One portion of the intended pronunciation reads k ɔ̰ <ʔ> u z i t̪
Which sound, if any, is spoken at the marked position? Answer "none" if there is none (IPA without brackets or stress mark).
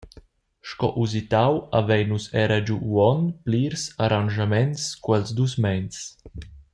ʔ